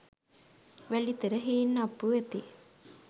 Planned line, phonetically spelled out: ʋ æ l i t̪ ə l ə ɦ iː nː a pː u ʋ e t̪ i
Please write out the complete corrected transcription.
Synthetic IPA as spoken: ʋ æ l i t̪ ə ɾ ə ɦ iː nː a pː u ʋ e t̪ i